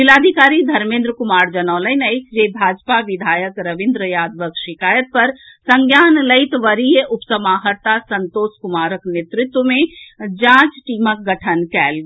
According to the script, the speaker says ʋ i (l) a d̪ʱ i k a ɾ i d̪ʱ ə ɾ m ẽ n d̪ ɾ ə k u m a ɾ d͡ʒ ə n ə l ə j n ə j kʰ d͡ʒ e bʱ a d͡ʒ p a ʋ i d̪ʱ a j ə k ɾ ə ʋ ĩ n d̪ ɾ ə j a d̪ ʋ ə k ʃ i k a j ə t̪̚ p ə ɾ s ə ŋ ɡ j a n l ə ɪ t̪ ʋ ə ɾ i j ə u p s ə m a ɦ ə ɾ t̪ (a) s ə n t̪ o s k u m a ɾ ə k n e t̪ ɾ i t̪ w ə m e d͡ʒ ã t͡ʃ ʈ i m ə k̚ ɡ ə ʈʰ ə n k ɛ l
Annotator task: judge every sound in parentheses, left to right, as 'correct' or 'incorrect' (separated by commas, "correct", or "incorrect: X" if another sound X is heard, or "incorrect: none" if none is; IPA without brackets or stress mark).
correct, correct